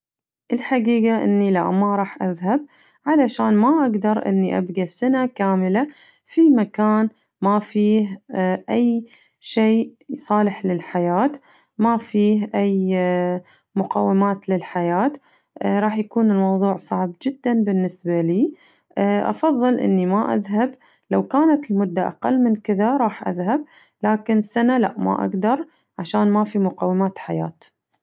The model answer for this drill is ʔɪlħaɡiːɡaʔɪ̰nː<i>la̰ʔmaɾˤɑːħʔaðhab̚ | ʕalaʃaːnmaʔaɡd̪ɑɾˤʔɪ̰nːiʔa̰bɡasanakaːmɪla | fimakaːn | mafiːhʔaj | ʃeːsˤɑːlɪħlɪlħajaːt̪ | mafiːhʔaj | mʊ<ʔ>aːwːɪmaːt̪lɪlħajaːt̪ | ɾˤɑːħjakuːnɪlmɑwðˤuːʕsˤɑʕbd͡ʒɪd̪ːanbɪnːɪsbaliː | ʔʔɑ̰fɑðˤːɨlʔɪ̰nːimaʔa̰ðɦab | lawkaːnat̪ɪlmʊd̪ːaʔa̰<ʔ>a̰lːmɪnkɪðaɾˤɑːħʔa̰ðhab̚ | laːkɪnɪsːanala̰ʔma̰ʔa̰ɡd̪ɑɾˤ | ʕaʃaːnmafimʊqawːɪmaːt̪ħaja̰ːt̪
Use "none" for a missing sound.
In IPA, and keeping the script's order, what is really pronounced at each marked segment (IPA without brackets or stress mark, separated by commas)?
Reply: i, q, q